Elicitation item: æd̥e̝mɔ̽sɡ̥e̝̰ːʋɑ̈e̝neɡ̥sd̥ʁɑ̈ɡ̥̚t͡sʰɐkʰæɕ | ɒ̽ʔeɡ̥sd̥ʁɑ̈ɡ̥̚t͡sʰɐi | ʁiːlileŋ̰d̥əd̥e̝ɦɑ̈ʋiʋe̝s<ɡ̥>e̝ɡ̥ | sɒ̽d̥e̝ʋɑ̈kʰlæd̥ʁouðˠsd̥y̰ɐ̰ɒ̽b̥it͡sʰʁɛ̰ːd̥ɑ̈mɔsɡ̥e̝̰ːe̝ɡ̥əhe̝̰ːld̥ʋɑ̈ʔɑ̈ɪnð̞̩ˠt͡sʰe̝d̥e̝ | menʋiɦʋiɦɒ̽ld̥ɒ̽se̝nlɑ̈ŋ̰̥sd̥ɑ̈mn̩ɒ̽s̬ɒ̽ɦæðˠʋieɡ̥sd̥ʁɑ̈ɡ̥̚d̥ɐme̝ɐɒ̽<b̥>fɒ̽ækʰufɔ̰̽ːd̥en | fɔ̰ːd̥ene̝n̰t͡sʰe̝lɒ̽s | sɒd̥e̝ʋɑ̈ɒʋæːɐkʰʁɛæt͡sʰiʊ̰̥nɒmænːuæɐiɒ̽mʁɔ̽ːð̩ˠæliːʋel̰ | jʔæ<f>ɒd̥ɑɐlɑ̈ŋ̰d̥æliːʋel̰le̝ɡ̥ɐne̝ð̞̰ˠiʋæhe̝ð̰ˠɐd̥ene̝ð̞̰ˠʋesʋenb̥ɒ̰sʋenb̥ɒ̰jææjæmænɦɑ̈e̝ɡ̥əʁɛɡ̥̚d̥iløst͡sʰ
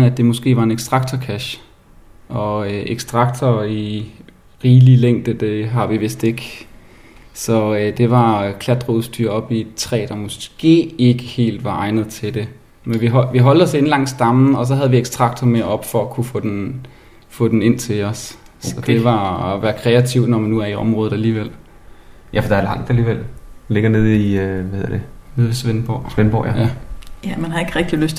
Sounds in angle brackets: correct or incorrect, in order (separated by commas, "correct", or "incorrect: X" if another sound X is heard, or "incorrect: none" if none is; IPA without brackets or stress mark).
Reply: incorrect: d̥, correct, correct